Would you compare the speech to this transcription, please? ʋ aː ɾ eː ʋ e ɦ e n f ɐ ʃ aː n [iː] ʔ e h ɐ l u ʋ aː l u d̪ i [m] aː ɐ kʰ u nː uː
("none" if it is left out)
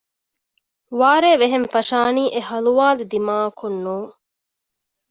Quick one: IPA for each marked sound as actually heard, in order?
iː, m

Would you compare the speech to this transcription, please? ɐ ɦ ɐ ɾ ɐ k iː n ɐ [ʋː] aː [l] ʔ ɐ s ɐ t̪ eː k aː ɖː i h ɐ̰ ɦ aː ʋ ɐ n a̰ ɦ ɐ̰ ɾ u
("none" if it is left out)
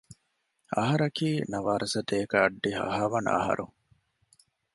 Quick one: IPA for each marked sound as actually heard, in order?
ʋ, ɾ

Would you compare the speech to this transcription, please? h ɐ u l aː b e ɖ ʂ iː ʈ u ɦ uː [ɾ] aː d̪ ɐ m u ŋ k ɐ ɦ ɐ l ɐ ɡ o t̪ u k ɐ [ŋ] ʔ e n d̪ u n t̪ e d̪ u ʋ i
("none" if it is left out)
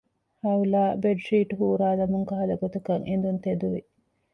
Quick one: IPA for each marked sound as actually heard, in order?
ɾ, ŋ

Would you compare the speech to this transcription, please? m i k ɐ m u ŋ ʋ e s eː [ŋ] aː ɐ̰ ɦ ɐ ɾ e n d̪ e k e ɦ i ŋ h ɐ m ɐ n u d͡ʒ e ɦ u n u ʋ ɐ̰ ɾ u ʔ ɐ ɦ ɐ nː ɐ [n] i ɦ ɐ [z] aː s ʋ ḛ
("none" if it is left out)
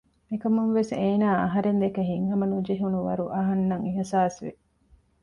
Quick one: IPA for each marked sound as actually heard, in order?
n, ŋ, s

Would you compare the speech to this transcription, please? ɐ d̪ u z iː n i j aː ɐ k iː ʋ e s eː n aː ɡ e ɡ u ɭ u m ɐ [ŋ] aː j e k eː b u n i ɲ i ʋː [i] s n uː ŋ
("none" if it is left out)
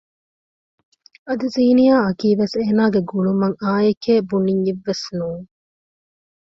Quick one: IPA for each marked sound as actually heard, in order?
ŋ, e

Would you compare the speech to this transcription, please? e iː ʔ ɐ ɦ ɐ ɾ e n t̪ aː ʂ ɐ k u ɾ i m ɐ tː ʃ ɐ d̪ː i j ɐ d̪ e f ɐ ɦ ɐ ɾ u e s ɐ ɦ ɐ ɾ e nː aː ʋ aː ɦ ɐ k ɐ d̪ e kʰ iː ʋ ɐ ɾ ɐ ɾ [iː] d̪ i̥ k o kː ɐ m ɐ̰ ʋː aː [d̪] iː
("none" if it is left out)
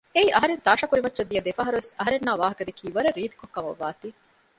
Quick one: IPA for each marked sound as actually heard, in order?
iː, t̪

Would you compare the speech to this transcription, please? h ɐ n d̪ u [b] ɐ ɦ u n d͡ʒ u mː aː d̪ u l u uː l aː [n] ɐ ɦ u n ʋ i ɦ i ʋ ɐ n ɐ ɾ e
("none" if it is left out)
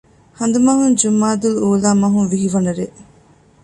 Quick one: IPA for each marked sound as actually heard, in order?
m, m

